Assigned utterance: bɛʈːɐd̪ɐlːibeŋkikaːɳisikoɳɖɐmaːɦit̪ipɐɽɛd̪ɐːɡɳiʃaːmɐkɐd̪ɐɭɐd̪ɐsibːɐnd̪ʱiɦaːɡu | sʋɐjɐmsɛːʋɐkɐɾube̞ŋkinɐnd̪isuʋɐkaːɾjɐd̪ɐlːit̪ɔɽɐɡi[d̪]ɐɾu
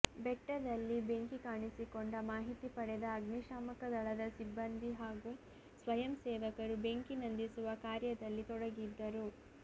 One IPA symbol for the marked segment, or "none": d̪ː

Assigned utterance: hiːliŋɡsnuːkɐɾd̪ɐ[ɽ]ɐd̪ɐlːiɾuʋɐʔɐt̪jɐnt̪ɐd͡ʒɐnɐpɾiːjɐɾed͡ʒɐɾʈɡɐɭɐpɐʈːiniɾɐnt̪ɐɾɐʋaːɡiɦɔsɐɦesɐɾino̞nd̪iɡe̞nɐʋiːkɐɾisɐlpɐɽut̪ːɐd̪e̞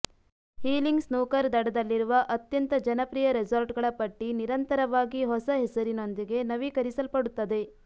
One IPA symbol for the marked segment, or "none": ɽ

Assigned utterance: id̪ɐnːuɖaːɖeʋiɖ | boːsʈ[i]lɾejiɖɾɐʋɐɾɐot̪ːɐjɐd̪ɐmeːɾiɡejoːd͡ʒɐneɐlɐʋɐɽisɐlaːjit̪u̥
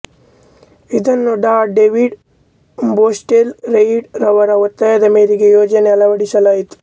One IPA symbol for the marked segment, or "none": e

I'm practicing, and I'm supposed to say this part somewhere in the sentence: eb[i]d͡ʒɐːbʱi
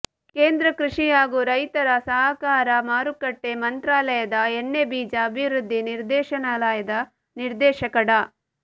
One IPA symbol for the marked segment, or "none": iː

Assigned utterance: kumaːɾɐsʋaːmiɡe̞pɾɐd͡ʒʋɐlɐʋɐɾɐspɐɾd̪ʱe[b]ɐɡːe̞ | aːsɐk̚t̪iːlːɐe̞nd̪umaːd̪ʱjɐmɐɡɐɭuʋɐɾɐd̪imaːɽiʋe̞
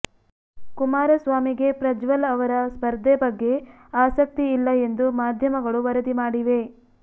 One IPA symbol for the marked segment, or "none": b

